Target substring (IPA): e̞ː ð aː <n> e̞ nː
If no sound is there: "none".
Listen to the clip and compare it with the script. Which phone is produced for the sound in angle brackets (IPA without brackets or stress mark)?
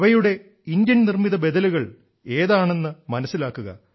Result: ɳ